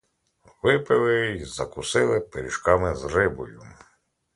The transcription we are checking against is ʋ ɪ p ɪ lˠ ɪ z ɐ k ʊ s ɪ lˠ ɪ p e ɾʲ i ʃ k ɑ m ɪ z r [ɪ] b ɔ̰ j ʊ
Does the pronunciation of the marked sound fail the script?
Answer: no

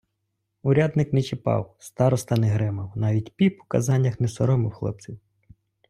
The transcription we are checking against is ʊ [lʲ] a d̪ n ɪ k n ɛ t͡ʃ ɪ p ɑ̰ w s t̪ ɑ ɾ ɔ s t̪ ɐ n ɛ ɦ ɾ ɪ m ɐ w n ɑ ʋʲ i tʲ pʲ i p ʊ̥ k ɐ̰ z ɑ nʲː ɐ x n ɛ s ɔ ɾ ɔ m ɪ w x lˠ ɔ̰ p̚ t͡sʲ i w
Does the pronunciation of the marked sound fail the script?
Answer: yes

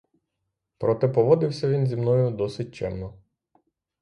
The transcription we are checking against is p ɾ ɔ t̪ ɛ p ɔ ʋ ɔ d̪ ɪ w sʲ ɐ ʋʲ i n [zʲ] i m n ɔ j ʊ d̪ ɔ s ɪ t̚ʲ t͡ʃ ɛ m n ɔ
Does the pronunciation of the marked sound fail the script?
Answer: no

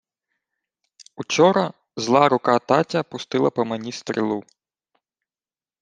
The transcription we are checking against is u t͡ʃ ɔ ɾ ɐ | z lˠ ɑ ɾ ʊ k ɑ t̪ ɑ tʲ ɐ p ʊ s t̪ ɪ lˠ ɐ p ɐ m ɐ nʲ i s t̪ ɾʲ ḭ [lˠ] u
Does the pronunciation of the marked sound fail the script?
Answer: no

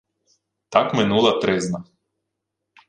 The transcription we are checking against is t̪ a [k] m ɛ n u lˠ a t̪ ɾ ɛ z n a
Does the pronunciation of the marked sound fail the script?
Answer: no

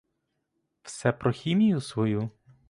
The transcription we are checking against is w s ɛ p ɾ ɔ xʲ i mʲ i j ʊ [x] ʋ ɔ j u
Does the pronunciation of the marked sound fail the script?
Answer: yes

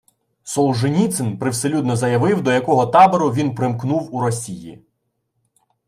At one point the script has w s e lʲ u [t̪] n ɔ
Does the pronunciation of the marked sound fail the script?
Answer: yes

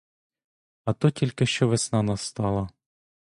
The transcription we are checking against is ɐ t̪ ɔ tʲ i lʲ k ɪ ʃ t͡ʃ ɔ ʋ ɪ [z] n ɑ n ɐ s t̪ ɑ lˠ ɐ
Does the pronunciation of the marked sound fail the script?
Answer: yes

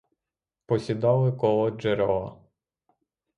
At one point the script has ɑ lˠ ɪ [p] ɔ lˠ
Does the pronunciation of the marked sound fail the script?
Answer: yes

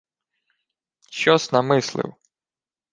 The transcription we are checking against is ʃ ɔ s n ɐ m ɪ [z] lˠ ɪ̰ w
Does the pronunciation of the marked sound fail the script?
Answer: yes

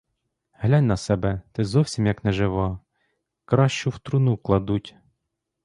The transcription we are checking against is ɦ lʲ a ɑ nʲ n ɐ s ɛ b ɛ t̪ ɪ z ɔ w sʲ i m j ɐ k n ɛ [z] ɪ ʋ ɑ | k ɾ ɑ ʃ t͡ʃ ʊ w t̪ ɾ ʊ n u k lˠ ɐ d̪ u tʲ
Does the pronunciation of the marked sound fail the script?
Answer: yes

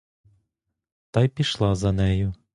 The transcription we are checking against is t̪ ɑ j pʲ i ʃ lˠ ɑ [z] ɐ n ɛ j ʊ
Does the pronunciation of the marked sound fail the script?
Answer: no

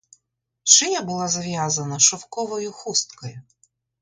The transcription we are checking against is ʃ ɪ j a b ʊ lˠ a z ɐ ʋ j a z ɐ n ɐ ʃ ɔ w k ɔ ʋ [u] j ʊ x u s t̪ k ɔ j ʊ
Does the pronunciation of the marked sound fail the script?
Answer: yes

